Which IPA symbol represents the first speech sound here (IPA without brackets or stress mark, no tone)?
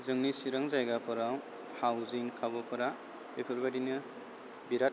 z